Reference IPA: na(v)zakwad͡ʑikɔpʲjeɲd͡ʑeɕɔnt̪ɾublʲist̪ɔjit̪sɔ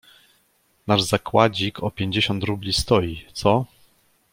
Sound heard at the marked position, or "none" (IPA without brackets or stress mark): ʐ